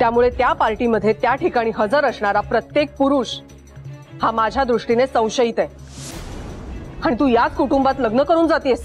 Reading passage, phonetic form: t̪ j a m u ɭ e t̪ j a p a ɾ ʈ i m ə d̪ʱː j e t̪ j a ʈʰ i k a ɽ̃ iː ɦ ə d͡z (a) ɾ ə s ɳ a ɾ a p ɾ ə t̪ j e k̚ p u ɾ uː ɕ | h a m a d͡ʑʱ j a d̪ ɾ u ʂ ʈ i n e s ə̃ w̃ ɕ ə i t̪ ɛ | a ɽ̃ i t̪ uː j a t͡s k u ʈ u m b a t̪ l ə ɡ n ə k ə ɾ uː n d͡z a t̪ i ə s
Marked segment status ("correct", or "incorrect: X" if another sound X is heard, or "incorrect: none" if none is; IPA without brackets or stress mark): incorrect: ə